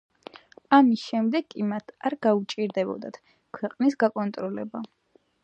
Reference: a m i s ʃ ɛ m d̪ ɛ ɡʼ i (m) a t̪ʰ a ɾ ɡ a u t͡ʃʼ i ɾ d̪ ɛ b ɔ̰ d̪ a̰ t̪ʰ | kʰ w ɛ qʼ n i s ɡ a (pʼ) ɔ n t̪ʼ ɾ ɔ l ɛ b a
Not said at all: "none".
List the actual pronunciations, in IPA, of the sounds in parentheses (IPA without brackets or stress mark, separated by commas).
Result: m, kʼ